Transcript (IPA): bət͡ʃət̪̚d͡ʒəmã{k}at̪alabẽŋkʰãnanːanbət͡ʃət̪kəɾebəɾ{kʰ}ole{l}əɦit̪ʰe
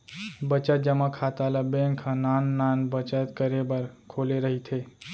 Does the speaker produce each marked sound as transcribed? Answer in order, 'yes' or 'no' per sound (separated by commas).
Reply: no, yes, no